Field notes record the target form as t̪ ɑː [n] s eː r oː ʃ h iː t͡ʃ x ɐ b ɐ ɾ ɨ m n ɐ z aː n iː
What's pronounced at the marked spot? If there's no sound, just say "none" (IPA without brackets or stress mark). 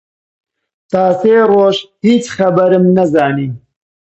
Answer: none